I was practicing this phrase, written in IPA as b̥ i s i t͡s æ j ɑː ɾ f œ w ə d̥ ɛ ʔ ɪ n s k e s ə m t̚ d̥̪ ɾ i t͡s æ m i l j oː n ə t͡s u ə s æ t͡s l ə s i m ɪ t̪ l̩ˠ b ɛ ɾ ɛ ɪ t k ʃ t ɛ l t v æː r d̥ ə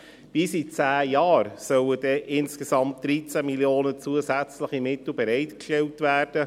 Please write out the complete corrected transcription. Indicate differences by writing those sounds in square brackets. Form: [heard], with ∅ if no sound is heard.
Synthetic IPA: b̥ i s i t͡s [æː] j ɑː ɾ [s] œ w ə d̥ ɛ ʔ ɪ n s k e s [ɑ] m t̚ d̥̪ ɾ i t͡s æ m i l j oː n ə t͡s u ə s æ t͡s l ə [χ] i m ɪ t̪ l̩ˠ b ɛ ɾ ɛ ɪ t k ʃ t ɛ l t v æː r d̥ ə